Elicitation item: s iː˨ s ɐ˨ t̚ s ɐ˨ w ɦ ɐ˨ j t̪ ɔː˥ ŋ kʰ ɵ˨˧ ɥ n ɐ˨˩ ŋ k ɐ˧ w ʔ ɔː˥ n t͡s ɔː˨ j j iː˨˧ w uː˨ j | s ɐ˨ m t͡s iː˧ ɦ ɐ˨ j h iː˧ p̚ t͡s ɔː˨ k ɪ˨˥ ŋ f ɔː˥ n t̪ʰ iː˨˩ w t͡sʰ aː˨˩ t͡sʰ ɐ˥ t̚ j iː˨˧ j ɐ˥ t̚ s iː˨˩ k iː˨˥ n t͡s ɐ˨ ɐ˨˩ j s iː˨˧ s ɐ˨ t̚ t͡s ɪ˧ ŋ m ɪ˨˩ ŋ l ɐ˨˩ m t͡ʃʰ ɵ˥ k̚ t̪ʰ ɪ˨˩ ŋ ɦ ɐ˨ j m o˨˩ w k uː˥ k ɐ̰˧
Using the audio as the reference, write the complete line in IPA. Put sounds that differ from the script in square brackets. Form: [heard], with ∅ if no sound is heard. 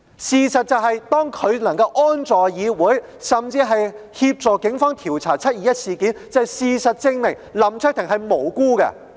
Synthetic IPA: s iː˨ s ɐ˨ t̚ [t͡s] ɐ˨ w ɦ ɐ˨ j t̪ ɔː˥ ŋ kʰ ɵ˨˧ ɥ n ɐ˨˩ ŋ k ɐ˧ w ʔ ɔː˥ n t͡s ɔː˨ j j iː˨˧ w [uː˨˥] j | s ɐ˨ m t͡s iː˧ ɦ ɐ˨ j h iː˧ p̚ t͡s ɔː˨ k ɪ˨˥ ŋ f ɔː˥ [ŋ] t̪ʰ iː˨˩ w t͡sʰ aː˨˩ t͡sʰ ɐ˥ t̚ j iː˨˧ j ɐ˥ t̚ s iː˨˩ k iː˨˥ n t͡s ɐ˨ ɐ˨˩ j s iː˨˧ s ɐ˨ t̚ t͡s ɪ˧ ŋ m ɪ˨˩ ŋ l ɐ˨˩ m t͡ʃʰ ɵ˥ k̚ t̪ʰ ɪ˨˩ ŋ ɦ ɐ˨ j m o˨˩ w k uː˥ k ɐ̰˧